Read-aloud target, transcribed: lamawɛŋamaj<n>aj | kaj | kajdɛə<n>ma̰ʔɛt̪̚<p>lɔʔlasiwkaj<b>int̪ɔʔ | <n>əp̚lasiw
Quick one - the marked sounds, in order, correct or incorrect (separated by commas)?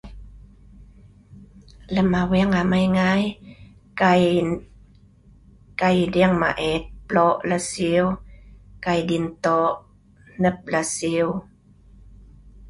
incorrect, incorrect, correct, incorrect, correct